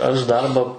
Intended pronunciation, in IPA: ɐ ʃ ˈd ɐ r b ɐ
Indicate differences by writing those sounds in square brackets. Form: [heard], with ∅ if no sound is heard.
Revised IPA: ɐ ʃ ˈd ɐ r b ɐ